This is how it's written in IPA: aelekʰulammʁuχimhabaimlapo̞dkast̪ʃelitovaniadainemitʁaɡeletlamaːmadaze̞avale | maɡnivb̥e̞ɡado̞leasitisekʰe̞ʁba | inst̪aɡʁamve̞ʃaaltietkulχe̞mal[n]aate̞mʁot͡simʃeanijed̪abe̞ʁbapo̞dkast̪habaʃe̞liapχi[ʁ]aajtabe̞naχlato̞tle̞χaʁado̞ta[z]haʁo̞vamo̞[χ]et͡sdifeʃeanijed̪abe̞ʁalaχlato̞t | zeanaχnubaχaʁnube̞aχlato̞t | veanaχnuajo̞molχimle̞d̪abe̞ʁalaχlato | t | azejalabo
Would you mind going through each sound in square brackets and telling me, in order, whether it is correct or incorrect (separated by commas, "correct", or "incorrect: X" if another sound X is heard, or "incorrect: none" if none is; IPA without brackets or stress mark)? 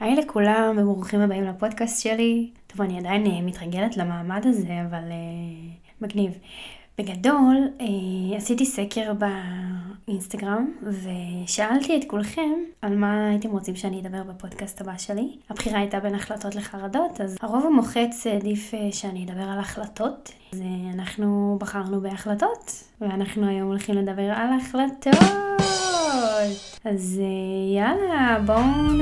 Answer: incorrect: m, correct, correct, correct